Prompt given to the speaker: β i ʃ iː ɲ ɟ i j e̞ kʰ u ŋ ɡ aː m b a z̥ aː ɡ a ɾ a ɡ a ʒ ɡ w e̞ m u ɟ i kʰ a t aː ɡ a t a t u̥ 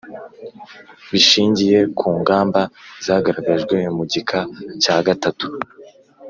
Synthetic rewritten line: β i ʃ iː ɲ ɟ i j e̞ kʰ uː ŋ ɡ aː m b a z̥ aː ɡ a ɾ a ɡ a ʒ ɡ w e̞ m u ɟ i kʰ a c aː ɡ a t a t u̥